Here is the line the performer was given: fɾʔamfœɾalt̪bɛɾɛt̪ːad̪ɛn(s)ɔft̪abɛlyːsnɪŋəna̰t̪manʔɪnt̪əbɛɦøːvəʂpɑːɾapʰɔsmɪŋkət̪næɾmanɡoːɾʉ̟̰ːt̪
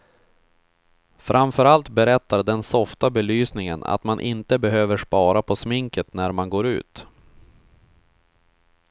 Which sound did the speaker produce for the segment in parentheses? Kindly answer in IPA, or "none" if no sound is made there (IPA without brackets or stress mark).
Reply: s